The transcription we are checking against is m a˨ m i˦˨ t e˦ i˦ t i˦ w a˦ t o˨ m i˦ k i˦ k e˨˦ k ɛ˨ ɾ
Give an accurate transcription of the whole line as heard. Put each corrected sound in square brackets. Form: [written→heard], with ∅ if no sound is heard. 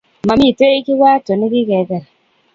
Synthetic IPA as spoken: m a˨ m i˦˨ t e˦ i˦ [t→k] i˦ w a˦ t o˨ [m→n] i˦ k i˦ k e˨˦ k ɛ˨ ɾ